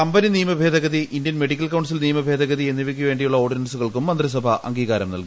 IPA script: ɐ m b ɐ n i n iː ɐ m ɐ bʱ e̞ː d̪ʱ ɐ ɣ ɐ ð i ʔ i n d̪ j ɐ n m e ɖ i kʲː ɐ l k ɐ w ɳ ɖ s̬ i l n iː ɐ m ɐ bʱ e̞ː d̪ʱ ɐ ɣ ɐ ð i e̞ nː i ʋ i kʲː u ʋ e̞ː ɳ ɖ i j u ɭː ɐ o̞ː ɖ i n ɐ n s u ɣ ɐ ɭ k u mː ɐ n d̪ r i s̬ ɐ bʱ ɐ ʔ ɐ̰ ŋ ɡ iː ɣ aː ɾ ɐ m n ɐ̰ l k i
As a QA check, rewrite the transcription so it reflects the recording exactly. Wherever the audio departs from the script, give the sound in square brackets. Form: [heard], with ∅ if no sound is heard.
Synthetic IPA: ɐ m b ɐ n i n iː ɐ m ɐ bʱ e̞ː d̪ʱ ɐ ɣ ɐ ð i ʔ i n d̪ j ɐ n m e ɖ i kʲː ɐ l k ɐ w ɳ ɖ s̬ i l n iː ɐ m ɐ bʱ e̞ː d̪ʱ ɐ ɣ ɐ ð i e̞ nː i ʋ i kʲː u ʋ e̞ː ɳ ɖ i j u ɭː ɐ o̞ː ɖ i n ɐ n s u ɣ ɐ ɭ k u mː ɐ n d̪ r i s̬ ɐ bʱ ɐ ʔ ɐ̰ ŋ ɡ iː ɣ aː ɾ ɐ m n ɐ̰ l k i